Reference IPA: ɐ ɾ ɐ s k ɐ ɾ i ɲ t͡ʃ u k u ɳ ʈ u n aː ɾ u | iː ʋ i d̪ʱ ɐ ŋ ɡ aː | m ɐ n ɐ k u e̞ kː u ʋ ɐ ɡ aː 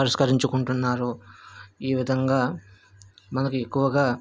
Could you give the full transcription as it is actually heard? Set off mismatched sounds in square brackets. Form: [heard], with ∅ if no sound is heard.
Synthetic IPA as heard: ɐ ɾ ɐ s k ɐ ɾ i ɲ t͡ʃ u k u ɳ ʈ u [nː] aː ɾ u | iː ʋ i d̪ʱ ɐ ŋ ɡ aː | m ɐ n ɐ k u e̞ kː u ʋ ɐ ɡ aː